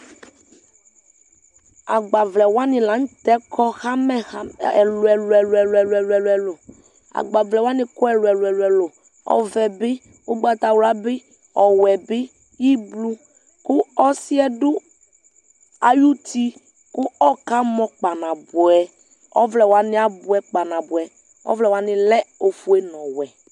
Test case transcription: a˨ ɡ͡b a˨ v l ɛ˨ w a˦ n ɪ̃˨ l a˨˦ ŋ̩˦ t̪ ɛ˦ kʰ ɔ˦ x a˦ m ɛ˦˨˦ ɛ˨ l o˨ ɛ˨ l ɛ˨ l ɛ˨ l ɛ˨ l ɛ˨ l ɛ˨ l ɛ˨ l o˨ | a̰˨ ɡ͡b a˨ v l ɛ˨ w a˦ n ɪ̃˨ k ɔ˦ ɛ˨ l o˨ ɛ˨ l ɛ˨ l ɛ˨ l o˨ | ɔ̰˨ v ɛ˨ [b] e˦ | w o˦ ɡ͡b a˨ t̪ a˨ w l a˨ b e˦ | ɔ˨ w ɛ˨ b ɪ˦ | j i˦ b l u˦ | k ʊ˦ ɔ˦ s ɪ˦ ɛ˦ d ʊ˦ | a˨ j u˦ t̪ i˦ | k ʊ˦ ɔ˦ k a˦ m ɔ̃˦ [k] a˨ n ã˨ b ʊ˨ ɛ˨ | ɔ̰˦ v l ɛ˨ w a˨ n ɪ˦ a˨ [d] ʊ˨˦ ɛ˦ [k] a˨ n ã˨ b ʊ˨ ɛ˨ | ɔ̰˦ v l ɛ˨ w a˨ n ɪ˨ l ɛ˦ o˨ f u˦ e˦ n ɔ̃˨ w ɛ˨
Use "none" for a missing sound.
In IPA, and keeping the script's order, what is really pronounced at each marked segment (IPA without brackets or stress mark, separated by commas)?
b, k͡p, b, k͡p